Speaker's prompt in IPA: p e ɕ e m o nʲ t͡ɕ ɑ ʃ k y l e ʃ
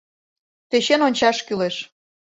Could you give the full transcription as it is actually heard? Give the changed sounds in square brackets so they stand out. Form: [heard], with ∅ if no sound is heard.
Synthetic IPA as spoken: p e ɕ e [n] o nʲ t͡ɕ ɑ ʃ k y l e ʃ